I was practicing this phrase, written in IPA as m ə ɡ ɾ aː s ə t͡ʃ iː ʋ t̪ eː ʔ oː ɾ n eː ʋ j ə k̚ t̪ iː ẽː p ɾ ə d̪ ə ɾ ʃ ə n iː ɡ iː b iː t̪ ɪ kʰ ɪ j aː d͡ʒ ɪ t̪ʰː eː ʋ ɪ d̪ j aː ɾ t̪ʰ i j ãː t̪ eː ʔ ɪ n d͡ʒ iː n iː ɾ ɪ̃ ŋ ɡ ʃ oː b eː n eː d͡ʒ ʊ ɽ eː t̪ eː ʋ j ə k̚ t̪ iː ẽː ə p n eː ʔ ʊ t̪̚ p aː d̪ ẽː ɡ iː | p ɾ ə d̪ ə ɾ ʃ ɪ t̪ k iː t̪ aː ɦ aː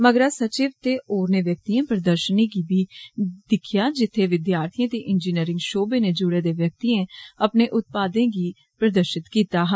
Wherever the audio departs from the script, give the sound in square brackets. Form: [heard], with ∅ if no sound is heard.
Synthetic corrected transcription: m ə ɡ ɾ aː s ə t͡ʃ iː ʋ t̪ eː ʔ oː ɾ n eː ʋ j ə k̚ t̪ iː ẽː p ɾ ə d̪ ə ɾ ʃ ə n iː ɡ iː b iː [d̪] ɪ kʰ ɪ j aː d͡ʒ ɪ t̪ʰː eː ʋ ɪ d̪ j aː ɾ t̪ʰ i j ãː t̪ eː ʔ ɪ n d͡ʒ iː n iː ɾ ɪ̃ ŋ ɡ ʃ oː b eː n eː d͡ʒ ʊ ɽ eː [d̪] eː ʋ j ə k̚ t̪ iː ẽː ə p n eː ʔ ʊ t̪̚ p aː d̪ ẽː ɡ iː | p ɾ ə d̪ ə ɾ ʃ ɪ t̪ k iː t̪ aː ɦ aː

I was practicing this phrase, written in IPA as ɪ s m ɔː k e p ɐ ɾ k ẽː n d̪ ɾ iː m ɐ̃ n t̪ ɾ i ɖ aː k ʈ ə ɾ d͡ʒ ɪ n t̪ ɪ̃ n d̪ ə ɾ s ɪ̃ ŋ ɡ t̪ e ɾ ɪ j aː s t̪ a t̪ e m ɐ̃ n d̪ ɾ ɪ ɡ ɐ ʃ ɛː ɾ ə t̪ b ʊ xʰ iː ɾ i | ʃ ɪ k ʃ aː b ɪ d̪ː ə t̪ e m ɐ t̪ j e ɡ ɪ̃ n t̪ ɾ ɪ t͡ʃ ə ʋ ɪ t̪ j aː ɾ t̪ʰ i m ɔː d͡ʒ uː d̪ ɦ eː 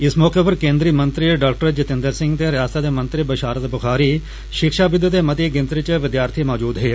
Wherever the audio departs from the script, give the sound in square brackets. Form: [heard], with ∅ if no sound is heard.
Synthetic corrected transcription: ɪ s m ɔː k e p ɐ ɾ k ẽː n d̪ ɾ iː m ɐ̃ n t̪ ɾ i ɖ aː k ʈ ə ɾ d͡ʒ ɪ [∅] t̪ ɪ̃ n d̪ ə ɾ s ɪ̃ ŋ ɡ t̪ e ɾ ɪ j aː s t̪ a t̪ e m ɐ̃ n [t̪] ɾ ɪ [b] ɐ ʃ [aː] ɾ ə t̪ b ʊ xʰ [aː] ɾ i | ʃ ɪ k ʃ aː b ɪ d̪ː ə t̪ e m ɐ t̪ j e ɡ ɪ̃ n t̪ ɾ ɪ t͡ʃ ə ʋ ɪ [d̪] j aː ɾ t̪ʰ i m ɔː d͡ʒ uː d̪ ɦ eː

